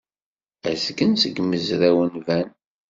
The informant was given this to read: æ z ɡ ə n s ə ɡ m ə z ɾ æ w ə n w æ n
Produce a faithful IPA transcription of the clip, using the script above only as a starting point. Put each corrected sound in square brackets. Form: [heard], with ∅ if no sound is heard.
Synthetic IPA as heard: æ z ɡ ə n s ə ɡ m ə z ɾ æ w ə n [v] æ n